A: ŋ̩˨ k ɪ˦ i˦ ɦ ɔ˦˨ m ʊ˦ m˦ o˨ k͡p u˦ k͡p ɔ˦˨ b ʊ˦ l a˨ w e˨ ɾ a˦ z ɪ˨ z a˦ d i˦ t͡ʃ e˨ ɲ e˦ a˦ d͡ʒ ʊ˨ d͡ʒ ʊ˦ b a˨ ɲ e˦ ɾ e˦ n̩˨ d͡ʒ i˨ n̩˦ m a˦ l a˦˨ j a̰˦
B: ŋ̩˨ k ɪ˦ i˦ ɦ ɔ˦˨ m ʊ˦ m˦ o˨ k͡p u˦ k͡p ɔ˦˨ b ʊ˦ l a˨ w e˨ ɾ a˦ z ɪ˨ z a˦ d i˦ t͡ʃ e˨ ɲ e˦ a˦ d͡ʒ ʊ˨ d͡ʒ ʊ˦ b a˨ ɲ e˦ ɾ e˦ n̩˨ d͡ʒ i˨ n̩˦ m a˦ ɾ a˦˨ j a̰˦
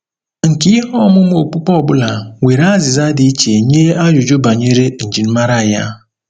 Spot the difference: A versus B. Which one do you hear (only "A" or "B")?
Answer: B